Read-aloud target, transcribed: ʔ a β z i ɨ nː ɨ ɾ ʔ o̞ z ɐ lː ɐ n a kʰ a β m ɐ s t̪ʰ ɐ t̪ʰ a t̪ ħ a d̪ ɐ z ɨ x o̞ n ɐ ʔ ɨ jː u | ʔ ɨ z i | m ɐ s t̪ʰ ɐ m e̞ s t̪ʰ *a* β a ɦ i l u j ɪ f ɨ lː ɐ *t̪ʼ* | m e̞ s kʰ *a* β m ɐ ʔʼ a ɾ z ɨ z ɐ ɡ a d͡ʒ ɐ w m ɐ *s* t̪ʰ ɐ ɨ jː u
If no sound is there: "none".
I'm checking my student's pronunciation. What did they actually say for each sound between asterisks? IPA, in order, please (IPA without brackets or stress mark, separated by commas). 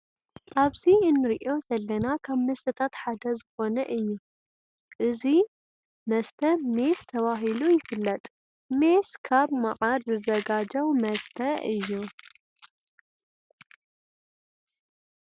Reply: ɐ, t̪ʼ, a, s